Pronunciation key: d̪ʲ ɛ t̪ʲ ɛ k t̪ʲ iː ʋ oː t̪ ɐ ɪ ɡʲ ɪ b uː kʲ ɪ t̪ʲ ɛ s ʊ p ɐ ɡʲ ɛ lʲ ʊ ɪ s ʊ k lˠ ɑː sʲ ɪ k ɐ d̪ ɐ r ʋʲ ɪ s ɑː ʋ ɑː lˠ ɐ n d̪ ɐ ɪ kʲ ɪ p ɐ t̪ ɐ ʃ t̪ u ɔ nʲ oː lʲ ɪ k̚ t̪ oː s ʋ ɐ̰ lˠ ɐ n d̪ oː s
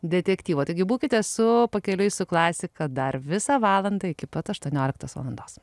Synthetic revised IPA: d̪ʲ ɛ t̪ʲ ɛ k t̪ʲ iː ʋ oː t̪ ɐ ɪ ɡʲ ɪ b uː kʲ ɪ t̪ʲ ɛ s ʊ p ɐ kʲ ɛ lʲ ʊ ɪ s ʊ k lˠ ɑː sʲ ɪ k ɐ d̪ ɐ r ʋʲ ɪ s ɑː ʋ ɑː lˠ ɐ n d̪ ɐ ɪ kʲ ɪ p ɐ t̪ ɐ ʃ t̪ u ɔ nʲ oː lʲ ɪ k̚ t̪ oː s ʋ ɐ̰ lˠ ɐ n d̪ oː s